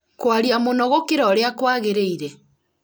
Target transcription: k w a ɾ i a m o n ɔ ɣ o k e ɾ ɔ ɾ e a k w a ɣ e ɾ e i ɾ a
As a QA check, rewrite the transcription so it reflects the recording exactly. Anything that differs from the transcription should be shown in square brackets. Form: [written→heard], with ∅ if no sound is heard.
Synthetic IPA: k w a ɾ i a m o n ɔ ɣ o k e ɾ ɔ ɾ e a k w a ɣ e ɾ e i ɾ [a→ɛ]